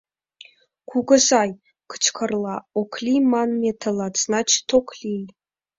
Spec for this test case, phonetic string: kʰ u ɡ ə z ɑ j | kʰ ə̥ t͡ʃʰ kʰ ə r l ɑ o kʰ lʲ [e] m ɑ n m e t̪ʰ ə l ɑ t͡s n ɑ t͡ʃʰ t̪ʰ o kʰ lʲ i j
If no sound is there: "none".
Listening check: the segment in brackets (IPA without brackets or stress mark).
i